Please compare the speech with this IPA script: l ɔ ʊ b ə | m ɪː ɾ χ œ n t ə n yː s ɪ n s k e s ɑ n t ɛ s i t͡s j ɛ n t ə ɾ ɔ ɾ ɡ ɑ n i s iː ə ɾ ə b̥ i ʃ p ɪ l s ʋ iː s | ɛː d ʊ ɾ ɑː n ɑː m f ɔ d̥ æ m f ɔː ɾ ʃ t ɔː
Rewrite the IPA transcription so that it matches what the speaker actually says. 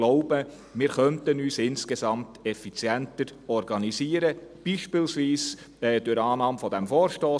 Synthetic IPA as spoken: l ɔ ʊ b ə | m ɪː ɾ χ œ n t ə n yː s ɪ n s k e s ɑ m t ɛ f i t͡s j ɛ n t ə ɾ ɔ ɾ ɡ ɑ n i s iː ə ɾ ə b̥ i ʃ p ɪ l s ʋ iː s | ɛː d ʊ ɾ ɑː n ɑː m f ɔ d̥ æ m f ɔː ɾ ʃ t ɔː